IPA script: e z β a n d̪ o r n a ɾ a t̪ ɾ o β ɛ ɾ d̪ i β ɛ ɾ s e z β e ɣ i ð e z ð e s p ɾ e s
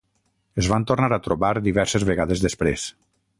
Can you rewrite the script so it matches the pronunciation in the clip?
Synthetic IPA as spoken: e z β a n t̪ o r n a ɾ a t̪ ɾ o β a ɾ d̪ i β ɛ ɾ s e z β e ɣ a ð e z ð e s p ɾ e s